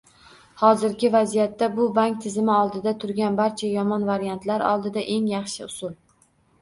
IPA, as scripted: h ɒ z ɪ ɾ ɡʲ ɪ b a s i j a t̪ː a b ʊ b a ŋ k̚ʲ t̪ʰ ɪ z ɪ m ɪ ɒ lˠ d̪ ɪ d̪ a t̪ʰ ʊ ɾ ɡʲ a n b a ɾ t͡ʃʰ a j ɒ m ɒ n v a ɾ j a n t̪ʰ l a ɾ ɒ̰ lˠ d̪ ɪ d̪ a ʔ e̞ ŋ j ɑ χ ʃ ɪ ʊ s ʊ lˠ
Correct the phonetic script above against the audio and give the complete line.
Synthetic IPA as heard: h ɒ z ɪ ɾ ɡʲ ɪ v a z i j a t̪ː a b ʊ b a ŋ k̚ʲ t̪ʰ ɪ z ɪ m ɪ ɒ lˠ d̪ ɪ d̪ a t̪ʰ ʊ ɾ ɡʲ a n b a ɾ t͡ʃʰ a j ɒ m ɒ n v a ɾ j a n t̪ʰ l a ɾ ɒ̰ lˠ d̪ ɪ d̪ a ʔ e̞ ŋ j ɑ χ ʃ ɪ ʊ s ʊ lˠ